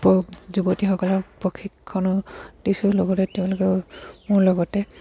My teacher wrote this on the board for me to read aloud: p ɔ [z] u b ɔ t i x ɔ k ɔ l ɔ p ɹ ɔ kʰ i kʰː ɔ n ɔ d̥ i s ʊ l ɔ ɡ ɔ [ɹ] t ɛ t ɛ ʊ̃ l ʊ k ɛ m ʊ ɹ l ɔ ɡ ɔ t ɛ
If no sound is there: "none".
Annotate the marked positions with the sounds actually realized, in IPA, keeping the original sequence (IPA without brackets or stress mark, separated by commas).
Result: z, none